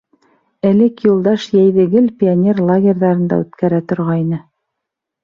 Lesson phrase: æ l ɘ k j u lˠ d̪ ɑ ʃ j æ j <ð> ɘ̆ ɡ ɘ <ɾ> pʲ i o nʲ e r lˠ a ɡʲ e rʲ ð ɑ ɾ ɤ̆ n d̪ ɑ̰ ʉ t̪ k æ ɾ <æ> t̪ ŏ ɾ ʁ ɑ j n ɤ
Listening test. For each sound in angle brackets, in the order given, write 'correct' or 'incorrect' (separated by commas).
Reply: correct, incorrect, correct